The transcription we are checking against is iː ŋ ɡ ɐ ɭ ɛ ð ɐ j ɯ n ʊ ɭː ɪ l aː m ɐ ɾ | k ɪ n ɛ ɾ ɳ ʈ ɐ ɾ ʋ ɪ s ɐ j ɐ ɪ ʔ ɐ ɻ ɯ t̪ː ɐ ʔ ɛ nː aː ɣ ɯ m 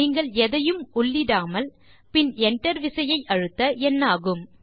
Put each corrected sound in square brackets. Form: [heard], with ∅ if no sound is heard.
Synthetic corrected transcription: iː ŋ ɡ ɐ ɭ ɛ ð ɐ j ɯ [m] ʊ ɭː ɪ [ɽ] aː m ɐ [l] | [p] ɪ n ɛ [∅] ɳ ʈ ɐ ɾ ʋ ɪ s ɐ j ɐ ɪ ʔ ɐ ɻ ɯ t̪ː ɐ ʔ ɛ nː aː ɣ ɯ m

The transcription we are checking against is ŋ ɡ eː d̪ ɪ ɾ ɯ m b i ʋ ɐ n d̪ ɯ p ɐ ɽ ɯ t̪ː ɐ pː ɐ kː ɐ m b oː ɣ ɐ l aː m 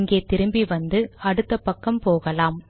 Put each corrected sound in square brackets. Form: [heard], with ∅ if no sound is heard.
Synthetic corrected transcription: ŋ ɡ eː [t̪] ɪ ɾ ɯ m b i ʋ ɐ n d̪ ɯ [∅] ɐ ɽ ɯ t̪ː ɐ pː ɐ kː ɐ m [p] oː ɣ ɐ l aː m

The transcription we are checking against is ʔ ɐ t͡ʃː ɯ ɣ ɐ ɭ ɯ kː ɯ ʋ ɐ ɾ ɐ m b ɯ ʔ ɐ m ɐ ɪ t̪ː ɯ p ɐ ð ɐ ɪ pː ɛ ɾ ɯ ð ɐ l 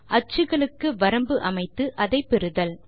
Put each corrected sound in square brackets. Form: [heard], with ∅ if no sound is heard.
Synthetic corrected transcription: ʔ ɐ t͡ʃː ɯ ɣ ɐ ɭ ɯ kː ɯ ʋ ɐ ɾ ɐ m b ɯ ʔ ɐ m ɐ ɪ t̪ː ɯ [ʔ] ɐ ð ɐ ɪ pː ɛ ɾ ɯ ð ɐ l

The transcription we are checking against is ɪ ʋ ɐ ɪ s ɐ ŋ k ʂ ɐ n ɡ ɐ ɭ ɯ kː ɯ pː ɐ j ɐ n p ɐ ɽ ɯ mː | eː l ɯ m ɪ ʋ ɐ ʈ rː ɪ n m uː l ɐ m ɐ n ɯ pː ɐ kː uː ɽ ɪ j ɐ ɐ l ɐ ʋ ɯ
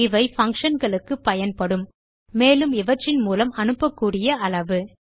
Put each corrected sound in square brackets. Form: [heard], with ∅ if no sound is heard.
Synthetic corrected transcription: ɪ ʋ ɐ ɪ [f] ɐ ŋ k ʂ ɐ n ɡ ɐ ɭ ɯ kː ɯ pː ɐ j ɐ n p ɐ ɽ ɯ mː | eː l ɯ m ɪ ʋ ɐ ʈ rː ɪ n m uː l ɐ m ɐ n ɯ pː ɐ kː uː ɽ ɪ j ɐ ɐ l ɐ ʋ ɯ

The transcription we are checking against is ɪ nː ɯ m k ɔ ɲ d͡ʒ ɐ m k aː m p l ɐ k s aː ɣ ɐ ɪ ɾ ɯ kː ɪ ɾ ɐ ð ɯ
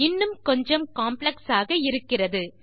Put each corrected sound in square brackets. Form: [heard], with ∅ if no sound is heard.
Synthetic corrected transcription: ɪ nː ɯ m k ɔ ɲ d͡ʒ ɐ m k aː m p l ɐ k s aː ɣ ɐ ɪ ɾ ɯ kː ɪ [r] ɐ ð ɯ

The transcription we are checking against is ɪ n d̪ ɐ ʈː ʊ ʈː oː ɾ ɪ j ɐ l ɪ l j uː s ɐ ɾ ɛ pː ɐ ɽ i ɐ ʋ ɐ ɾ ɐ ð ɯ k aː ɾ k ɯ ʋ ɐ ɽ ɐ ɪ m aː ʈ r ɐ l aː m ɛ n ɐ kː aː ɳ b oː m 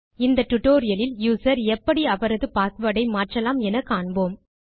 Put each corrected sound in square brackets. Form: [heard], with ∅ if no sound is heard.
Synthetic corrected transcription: ɪ n d̪ ɐ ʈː ʊ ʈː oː ɾ ɪ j ɐ l ɪ l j uː s ɐ ɾ ɛ pː ɐ ɽ i ɐ ʋ ɐ ɾ ɐ ð ɯ [p] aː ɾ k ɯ ʋ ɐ ɽ ɐ ɪ m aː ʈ r ɐ l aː m ɛ n ɐ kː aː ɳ b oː m

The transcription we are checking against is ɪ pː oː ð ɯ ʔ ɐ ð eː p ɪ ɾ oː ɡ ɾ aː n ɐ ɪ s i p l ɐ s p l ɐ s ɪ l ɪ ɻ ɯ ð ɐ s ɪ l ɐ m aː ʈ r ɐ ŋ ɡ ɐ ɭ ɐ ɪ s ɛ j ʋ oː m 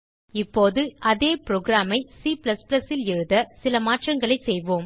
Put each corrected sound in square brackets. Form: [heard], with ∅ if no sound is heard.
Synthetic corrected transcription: ɪ pː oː ð ɯ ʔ ɐ ð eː p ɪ ɾ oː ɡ ɾ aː [m] ɐ ɪ s i p l ɐ s p l ɐ s ɪ l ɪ ɻ ɯ ð ɐ s ɪ l ɐ m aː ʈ r ɐ ŋ ɡ ɐ ɭ ɐ ɪ s ɛ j ʋ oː m

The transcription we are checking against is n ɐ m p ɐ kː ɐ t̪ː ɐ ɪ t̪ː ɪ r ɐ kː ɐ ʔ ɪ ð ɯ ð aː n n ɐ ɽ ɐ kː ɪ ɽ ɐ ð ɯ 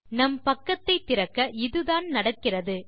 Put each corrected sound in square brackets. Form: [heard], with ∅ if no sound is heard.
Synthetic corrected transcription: n ɐ m p ɐ kː ɐ t̪ː ɐ ɪ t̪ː ɪ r ɐ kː ɐ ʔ ɪ ð ɯ ð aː n n ɐ ɽ ɐ kː ɪ [r] ɐ ð ɯ

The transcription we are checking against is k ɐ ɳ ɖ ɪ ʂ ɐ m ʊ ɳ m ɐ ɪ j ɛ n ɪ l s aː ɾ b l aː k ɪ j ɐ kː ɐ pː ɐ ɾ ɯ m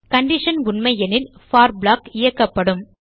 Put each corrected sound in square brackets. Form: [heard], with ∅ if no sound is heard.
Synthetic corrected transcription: k ɐ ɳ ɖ ɪ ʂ ɐ [n] ʊ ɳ m ɐ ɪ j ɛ n ɪ l [f] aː ɾ b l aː k ɪ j ɐ kː ɐ pː ɐ [ɽ] ɯ m

